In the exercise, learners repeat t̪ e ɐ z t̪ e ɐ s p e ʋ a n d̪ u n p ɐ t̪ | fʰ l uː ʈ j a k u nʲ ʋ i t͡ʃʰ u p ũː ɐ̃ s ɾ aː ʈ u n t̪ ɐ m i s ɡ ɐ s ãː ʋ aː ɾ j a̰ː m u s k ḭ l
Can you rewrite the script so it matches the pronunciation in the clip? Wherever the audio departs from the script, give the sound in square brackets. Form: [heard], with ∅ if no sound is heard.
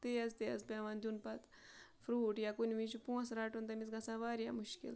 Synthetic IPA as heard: t̪ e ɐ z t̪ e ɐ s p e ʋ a n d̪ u n p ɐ t̪ | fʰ [ɾ] uː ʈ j a k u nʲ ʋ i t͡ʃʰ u p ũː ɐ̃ s ɾ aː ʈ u n t̪ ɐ m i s ɡ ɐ s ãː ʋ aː ɾ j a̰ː m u [ʃ] k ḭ l

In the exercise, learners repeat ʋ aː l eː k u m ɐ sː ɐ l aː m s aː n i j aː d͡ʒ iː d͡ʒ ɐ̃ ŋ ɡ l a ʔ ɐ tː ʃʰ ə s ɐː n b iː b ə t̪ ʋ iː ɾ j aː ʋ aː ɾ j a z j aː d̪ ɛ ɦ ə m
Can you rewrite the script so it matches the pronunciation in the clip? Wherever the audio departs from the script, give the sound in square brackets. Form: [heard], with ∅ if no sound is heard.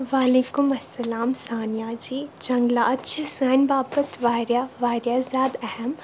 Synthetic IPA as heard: ʋ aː l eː k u m ɐ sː ɐ l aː m s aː n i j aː d͡ʒ iː d͡ʒ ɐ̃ ŋ ɡ l a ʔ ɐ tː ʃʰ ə s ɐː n b [aː] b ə t̪ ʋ [aː] ɾ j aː ʋ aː ɾ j a z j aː d̪ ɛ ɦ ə m

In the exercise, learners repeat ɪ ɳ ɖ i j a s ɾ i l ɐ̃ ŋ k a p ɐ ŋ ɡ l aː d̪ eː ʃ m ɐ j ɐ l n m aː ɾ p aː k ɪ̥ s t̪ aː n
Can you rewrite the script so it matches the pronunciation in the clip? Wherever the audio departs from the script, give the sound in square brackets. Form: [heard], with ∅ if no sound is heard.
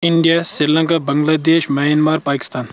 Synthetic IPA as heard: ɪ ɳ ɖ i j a s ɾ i l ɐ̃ ŋ k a [b] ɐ ŋ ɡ l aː d̪ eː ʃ m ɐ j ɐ [∅] n m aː ɾ p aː k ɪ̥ s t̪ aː n

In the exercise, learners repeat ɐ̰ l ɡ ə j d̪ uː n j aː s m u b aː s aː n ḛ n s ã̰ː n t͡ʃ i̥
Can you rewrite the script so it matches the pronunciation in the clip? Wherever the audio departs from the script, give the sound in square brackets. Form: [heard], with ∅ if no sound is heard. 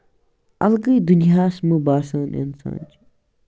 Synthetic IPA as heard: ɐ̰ l ɡ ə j d̪ [u] n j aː s m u b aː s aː n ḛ n s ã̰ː n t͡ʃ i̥

